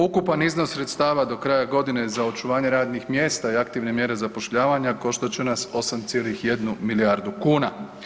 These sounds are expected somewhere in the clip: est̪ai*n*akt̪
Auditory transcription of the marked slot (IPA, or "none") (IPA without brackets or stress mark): none